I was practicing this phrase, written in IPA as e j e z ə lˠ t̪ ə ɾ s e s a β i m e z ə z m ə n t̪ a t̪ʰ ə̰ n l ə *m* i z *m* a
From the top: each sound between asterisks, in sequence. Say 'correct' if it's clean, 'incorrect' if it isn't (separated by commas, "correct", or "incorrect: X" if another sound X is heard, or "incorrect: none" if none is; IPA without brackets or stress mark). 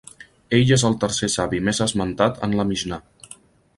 correct, incorrect: n